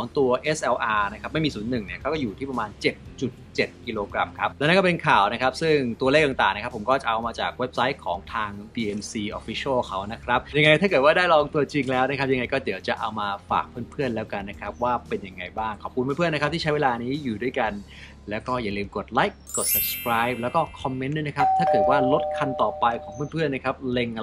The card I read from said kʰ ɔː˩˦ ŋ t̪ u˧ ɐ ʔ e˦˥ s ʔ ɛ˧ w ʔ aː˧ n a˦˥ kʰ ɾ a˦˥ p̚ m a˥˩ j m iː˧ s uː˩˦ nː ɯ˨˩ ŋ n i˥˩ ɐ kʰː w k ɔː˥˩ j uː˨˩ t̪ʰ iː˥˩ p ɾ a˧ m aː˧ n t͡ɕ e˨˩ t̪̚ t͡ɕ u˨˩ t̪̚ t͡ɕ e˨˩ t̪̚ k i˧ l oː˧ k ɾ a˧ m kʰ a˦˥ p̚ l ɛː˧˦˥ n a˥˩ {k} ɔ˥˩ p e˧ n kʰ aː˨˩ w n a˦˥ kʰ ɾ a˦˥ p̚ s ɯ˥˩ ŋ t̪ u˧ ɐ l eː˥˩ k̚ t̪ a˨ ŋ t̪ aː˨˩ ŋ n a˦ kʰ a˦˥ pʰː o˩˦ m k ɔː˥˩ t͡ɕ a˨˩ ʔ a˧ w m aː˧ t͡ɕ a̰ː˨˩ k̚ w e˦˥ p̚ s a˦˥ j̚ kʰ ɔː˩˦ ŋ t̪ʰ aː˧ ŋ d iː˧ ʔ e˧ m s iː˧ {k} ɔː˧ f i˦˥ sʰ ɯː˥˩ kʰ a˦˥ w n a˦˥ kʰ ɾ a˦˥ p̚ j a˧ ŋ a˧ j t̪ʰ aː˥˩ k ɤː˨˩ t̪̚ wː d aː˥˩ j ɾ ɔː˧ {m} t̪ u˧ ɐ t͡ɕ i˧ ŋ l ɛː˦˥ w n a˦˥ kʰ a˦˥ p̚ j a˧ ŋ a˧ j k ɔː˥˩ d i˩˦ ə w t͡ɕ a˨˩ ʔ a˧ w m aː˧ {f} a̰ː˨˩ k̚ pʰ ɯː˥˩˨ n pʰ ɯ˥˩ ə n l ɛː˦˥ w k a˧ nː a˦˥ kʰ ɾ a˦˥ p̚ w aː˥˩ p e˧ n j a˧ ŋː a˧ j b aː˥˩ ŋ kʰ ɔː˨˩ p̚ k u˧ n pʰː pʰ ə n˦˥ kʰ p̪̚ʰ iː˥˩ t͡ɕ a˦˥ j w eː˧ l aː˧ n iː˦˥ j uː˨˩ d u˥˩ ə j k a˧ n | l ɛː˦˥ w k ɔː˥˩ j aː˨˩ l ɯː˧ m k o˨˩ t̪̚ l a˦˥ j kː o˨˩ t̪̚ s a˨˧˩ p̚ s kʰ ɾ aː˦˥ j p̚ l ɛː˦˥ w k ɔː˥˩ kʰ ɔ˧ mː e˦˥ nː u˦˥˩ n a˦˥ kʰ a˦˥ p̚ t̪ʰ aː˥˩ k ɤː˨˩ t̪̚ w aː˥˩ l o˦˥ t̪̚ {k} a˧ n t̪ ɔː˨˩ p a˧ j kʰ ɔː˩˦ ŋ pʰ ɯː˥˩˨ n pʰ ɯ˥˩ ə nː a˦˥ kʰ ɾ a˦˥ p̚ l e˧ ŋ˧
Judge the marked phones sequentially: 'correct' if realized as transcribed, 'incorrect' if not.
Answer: correct, incorrect: ʔ, incorrect: ŋ, correct, incorrect: kʰ

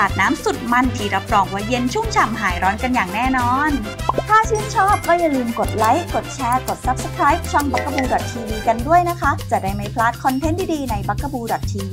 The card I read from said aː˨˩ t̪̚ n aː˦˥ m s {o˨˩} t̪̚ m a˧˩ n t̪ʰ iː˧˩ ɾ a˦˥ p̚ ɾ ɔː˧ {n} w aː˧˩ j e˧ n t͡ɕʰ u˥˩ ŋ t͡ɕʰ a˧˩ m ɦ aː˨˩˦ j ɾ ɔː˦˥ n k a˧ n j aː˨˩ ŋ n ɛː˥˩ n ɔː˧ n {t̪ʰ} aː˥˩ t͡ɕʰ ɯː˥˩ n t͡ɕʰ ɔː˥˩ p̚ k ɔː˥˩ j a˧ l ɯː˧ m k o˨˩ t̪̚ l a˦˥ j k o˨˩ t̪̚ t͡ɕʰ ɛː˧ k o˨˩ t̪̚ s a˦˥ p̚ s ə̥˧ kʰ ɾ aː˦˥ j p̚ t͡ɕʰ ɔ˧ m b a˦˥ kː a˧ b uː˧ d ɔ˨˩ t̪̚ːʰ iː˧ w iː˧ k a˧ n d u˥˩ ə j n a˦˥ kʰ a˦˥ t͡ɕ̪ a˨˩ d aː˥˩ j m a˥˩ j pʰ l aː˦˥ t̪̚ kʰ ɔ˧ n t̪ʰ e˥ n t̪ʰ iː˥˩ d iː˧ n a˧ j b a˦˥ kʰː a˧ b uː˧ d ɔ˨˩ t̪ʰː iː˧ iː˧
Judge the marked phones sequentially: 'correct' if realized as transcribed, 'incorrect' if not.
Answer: incorrect: u˨˩, incorrect: ŋ, correct

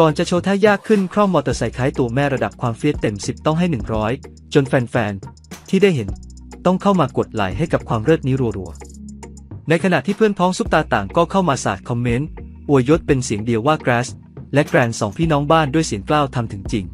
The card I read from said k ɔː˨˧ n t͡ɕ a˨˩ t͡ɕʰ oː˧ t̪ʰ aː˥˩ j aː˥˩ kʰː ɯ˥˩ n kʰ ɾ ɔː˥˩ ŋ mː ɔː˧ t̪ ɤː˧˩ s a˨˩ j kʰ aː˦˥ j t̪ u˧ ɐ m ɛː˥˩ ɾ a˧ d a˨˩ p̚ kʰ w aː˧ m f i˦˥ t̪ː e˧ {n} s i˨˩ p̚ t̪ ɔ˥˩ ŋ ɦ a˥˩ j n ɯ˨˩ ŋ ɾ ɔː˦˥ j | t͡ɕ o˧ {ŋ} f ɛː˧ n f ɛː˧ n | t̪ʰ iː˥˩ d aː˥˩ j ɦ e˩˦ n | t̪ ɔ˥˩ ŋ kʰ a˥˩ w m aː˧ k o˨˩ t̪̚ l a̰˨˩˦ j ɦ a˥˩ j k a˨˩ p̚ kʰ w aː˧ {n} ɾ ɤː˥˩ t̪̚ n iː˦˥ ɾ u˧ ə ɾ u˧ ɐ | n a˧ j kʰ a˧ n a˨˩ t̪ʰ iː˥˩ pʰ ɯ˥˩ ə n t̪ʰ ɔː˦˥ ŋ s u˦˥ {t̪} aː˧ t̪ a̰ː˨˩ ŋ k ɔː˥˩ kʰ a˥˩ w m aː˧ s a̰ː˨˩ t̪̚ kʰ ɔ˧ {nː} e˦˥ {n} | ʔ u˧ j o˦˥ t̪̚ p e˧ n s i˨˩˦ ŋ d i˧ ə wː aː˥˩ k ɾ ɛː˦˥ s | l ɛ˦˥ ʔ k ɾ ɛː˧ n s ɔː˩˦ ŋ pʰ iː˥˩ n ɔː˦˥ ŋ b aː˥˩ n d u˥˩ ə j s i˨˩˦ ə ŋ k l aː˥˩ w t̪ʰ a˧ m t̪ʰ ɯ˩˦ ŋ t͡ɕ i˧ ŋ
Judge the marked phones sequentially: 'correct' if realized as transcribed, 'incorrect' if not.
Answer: incorrect: m, incorrect: n, incorrect: m, correct, incorrect: mː, correct

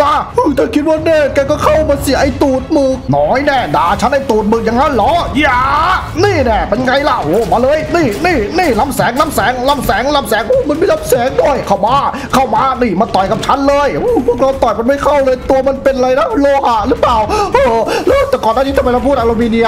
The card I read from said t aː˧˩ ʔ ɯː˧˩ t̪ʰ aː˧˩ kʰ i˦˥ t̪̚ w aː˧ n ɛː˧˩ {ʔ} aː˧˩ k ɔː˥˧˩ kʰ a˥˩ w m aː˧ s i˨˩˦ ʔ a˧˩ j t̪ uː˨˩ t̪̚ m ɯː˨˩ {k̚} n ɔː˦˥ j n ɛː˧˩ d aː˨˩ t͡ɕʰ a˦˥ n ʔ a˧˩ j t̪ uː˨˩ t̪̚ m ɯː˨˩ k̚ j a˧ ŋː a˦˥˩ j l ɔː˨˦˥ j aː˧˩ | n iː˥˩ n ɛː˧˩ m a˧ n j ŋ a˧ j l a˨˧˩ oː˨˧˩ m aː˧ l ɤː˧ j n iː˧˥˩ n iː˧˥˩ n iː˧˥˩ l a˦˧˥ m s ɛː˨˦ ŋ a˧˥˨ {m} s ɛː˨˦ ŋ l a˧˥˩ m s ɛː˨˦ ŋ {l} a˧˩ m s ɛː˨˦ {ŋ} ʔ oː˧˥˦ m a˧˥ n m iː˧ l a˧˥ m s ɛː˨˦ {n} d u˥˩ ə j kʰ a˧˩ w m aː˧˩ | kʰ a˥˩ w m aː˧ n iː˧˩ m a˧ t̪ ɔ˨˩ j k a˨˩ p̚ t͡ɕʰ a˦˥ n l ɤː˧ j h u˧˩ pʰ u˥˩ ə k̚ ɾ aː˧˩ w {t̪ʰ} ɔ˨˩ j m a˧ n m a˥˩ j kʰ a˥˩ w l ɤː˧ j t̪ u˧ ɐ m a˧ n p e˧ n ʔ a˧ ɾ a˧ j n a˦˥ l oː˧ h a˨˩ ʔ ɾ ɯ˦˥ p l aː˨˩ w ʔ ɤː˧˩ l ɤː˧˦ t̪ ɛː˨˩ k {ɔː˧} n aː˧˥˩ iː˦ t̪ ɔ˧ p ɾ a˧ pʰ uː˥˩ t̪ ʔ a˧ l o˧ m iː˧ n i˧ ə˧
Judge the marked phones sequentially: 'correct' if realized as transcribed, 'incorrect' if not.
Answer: incorrect: k, correct, correct, correct, correct, incorrect: ŋ, incorrect: t̪, incorrect: ɔː˨˩

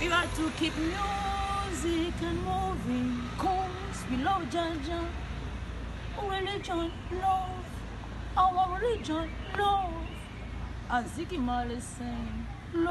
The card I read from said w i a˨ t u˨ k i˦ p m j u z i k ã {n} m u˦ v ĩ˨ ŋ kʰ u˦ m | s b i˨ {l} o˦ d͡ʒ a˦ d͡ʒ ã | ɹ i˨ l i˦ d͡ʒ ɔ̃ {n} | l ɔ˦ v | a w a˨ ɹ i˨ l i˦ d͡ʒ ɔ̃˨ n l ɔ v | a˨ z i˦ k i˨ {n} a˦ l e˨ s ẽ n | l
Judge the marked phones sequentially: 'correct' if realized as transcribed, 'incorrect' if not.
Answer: correct, correct, correct, incorrect: m

